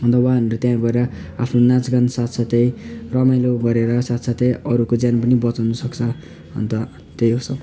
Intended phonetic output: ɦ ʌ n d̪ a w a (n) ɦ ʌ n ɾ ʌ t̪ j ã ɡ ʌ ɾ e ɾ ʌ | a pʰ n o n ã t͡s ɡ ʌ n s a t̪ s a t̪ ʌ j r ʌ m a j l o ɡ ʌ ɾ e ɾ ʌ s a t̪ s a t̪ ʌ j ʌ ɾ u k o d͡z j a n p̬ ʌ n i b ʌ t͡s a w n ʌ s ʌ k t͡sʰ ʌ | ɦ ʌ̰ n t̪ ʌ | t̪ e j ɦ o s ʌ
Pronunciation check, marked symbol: incorrect: none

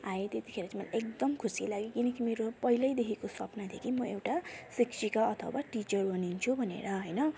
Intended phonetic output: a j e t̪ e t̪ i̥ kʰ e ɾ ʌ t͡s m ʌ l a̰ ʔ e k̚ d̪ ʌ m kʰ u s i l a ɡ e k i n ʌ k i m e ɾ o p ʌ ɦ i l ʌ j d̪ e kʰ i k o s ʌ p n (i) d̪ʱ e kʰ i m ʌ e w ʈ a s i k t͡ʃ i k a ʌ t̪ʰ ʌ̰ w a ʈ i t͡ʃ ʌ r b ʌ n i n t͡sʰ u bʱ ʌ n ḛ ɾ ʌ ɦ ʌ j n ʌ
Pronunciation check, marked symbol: incorrect: a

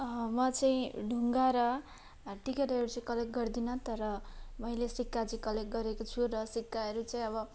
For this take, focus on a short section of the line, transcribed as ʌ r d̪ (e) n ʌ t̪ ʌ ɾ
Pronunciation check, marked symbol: incorrect: i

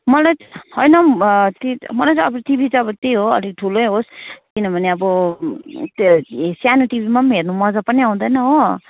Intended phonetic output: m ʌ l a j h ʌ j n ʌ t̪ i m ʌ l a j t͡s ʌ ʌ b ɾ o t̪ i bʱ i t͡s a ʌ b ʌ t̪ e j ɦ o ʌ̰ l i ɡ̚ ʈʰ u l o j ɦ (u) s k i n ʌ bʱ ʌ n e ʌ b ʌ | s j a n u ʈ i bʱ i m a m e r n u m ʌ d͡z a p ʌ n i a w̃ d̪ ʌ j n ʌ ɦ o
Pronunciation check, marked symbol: incorrect: o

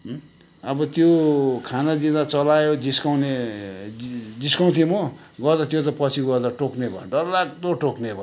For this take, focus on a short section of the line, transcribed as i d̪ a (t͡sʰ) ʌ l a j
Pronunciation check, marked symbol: incorrect: t͡s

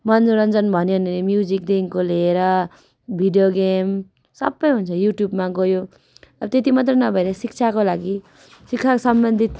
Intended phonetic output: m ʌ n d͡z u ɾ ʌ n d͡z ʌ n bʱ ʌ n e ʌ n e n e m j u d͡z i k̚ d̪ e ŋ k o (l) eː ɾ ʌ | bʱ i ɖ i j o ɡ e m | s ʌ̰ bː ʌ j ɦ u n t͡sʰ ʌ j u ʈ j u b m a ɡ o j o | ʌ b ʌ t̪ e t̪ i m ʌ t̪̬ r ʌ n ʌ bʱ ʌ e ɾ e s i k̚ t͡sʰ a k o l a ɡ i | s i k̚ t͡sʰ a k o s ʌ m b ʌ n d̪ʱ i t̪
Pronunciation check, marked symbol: correct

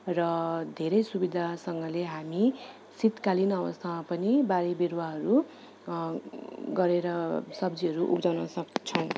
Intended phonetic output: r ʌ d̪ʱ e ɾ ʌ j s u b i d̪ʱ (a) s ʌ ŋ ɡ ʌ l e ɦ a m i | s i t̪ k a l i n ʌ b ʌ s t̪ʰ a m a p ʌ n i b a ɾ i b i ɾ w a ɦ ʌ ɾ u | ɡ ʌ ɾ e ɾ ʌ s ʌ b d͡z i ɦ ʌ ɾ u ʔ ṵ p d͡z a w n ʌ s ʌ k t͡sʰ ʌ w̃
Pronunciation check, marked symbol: correct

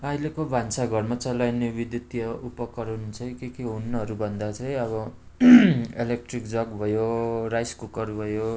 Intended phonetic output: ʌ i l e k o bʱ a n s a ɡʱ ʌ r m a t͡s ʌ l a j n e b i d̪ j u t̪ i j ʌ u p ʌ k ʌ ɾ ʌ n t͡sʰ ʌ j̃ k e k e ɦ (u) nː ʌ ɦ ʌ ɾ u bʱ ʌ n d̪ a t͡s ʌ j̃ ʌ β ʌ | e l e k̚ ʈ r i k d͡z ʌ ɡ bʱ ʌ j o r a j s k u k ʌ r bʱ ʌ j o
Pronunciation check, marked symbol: correct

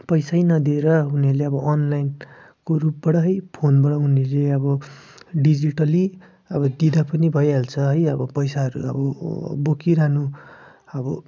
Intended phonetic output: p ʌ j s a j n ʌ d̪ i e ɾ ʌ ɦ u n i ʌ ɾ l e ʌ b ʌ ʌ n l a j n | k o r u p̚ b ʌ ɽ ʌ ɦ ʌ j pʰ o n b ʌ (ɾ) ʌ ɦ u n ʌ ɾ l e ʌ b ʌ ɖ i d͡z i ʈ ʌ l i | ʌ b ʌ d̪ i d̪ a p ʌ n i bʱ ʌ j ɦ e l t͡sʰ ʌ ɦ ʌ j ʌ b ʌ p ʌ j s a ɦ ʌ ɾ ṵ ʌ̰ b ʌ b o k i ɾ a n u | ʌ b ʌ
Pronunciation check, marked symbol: incorrect: ɽ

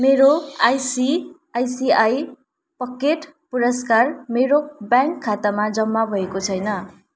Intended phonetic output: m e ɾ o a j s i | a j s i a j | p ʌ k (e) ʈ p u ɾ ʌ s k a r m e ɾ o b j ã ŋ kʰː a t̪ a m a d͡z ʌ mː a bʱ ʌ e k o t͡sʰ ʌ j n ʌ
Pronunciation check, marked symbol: correct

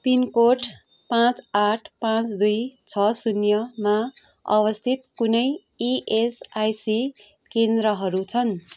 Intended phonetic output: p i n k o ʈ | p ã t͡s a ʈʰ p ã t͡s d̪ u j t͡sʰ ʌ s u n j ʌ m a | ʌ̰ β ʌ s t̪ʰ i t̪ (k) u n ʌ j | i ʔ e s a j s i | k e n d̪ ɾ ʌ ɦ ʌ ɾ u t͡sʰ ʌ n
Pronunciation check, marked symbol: correct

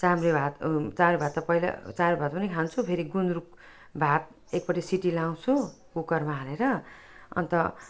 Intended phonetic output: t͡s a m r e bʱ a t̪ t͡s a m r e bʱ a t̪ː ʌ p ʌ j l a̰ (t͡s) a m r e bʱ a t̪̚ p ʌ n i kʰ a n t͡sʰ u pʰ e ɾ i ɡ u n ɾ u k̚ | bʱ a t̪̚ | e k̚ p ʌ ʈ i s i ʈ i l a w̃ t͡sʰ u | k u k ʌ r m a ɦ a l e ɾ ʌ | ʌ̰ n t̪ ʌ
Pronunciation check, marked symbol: correct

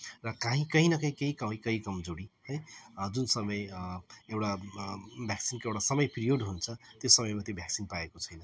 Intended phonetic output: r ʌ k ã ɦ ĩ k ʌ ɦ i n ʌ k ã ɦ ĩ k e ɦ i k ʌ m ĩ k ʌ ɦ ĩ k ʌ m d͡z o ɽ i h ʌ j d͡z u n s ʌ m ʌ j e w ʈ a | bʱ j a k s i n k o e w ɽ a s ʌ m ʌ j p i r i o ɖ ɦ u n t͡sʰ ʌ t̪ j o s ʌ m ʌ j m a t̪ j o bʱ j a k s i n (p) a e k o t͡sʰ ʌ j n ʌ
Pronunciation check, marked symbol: correct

